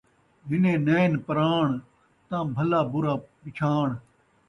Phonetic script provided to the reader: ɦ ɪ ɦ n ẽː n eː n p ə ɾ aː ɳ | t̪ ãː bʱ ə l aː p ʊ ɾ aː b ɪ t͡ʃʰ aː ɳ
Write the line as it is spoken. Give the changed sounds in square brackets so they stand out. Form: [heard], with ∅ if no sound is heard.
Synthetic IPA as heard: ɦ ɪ [∅] n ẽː n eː n p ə ɾ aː ɳ | t̪ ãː bʱ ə l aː [b] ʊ ɾ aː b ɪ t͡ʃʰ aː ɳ